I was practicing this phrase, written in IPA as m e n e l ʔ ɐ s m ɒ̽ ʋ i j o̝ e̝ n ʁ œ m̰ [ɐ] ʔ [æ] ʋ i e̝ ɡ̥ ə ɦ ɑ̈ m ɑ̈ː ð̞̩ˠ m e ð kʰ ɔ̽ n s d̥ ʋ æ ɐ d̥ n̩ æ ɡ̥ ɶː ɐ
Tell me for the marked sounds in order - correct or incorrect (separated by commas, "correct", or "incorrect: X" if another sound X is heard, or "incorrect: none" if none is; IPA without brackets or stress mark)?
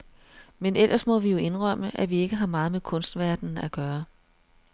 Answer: incorrect: ə, correct